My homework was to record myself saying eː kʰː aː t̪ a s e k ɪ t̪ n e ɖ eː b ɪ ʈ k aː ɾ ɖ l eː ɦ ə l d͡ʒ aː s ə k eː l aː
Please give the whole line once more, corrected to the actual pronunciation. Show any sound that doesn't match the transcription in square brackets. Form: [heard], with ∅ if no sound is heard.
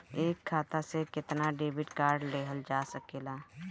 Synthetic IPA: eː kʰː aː t̪ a s e k ɪ t̪ n [a] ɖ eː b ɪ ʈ k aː ɾ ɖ l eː ɦ ə l d͡ʒ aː s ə k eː l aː

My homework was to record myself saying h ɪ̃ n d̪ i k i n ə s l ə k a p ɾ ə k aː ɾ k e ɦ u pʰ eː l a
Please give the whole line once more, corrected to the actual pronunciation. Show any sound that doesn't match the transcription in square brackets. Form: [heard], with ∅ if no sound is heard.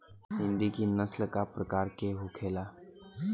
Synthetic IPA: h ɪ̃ n d̪ i k i n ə s l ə k a p ɾ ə k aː ɾ k e ɦ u [kʰ] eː l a

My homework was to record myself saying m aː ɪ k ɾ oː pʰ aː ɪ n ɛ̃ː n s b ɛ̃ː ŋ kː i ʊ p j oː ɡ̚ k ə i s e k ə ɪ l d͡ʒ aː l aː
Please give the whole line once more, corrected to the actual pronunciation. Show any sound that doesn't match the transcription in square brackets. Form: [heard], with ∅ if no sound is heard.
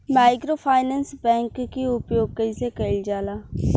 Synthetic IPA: m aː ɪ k ɾ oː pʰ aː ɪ n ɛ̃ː n s b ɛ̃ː ŋ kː i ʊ p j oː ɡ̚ k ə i s e k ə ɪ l d͡ʒ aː l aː

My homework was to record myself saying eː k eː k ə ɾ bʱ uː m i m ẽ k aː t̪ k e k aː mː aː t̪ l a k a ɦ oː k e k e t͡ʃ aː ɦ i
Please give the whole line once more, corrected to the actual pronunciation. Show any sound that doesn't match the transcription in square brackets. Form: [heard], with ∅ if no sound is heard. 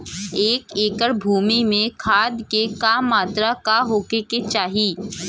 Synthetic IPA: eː k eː k ə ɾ bʱ uː m i m ẽ [kʰ] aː [d̪] k e k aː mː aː t̪ [ɾ] a k a ɦ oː k e k e t͡ʃ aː ɦ i

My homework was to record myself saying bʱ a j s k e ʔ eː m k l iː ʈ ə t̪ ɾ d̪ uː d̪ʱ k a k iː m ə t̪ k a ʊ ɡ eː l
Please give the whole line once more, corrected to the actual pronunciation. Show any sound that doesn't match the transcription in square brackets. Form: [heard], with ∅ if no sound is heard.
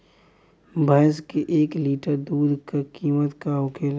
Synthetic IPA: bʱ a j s k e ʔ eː [∅] k l iː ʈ ə [∅] ɾ d̪ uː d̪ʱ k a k iː m ə t̪ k a ʊ [k] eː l

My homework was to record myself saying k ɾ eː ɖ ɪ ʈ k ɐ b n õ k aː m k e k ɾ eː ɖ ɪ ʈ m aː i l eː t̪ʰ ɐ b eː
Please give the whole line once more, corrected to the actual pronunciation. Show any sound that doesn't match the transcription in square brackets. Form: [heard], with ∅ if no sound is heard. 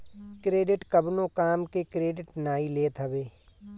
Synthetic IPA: k ɾ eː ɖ ɪ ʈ k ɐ b n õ k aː m k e k ɾ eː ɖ ɪ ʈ [n] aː i l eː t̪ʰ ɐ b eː

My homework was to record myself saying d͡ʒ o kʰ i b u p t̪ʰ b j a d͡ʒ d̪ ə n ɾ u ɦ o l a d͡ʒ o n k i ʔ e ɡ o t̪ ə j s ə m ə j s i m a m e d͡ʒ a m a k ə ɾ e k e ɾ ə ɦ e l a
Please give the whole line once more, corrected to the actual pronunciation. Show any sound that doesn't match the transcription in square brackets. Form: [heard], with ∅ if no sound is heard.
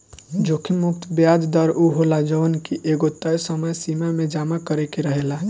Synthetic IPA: d͡ʒ o kʰ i [m] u [k] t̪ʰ b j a d͡ʒ d̪ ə [∅] ɾ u ɦ o l a d͡ʒ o n k i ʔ e ɡ o t̪ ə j s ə m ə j s i m a m e d͡ʒ a m a k ə ɾ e k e ɾ ə ɦ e l a

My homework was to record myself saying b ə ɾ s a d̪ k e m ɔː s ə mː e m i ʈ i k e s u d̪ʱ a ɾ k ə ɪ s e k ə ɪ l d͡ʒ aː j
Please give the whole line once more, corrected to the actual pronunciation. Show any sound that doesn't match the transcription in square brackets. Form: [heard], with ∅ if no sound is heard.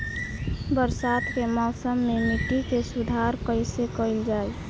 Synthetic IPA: b ə ɾ s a [t̪] k e m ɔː s ə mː e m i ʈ i k e s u d̪ʱ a ɾ k ə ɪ s e k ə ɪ l d͡ʒ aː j

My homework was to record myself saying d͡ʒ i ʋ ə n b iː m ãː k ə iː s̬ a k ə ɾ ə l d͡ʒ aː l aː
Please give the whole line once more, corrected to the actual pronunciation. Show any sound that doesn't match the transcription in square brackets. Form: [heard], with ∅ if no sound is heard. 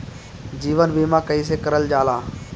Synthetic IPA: d͡ʒ [iː] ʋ ə n b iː m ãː k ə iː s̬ [e] k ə ɾ ə l d͡ʒ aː l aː

